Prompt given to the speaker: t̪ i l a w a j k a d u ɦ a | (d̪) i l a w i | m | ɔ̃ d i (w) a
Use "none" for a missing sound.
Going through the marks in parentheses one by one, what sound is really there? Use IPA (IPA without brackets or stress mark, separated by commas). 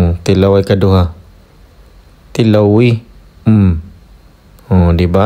t̪, b